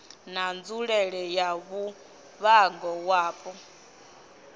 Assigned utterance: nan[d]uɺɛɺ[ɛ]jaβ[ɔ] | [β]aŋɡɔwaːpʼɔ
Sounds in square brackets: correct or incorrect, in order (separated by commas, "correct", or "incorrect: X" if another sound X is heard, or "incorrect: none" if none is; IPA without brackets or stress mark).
incorrect: d͡z, correct, incorrect: u, correct